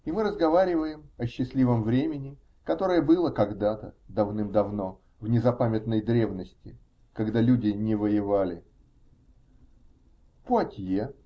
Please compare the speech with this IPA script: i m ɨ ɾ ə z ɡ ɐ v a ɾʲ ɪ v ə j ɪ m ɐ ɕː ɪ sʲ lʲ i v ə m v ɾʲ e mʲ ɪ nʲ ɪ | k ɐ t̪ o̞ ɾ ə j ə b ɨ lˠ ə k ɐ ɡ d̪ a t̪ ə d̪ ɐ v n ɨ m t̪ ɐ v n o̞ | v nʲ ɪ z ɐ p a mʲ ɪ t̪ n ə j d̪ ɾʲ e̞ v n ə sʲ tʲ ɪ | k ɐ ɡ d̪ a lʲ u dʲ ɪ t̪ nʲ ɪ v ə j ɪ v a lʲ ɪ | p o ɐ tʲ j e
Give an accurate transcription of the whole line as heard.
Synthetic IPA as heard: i m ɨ ɾ ə z ɡ ɐ v a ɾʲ ɪ v ə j ɪ m ɐ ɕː ɪ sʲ lʲ i v ə m v ɾʲ e mʲ ɪ nʲ ɪ | k ɐ t̪ o̞ ɾ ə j ə b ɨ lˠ ə k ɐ ɡ d̪ a t̪ ə d̪ ɐ v n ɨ m d̪ ɐ v n o̞ | v nʲ ɪ z ɐ p a mʲ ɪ t̪ n ə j d̪ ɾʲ e̞ v n ə sʲ tʲ ɪ | k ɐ ɡ d̪ a lʲ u dʲ ɪ nʲ ɪ v ə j ɪ v a lʲ ɪ | p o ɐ tʲ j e